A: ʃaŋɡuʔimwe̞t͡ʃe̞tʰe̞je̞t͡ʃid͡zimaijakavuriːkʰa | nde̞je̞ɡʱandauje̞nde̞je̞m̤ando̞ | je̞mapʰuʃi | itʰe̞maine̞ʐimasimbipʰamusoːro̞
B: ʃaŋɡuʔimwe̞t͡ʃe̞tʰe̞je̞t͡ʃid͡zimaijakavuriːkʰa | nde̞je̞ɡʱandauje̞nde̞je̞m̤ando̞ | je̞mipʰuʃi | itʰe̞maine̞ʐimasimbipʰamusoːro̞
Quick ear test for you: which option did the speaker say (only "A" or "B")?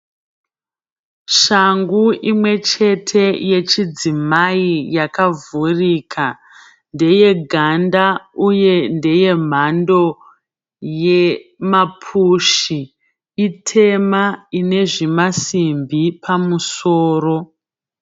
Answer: A